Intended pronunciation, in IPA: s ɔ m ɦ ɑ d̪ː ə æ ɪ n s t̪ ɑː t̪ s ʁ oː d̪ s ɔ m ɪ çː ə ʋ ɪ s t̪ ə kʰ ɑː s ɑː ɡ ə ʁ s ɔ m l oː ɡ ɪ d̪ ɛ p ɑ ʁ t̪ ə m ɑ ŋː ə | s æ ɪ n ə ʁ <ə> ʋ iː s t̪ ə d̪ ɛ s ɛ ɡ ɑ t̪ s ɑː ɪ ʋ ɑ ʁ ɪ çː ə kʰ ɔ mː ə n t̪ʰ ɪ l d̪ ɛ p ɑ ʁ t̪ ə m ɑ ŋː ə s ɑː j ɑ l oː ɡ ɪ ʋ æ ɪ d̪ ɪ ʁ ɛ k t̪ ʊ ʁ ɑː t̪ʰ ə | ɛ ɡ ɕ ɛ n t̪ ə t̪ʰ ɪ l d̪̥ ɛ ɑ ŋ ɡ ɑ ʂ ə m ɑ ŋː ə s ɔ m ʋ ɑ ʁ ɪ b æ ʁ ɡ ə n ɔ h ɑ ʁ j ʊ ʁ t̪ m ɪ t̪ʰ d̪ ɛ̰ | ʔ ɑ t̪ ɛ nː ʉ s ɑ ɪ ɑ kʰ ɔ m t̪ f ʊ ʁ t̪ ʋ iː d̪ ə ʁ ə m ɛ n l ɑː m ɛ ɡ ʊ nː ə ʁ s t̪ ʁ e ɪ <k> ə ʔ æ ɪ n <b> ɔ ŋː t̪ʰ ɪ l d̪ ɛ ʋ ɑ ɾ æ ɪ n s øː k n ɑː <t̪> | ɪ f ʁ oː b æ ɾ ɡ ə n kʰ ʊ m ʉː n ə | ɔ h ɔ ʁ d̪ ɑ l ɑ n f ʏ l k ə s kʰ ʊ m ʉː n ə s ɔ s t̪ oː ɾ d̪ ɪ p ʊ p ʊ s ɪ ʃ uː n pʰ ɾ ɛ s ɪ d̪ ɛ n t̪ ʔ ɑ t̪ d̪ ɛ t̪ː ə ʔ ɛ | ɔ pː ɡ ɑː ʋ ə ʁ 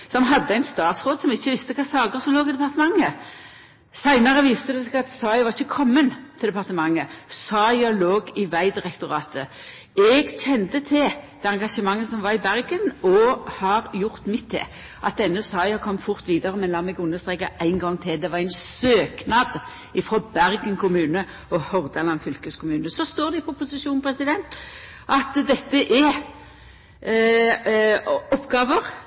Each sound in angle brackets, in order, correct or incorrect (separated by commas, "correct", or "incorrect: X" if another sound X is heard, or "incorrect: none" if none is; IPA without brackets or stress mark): correct, correct, incorrect: ɡ, incorrect: d̪